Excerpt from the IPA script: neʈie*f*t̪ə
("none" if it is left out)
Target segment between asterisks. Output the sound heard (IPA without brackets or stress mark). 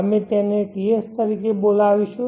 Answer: s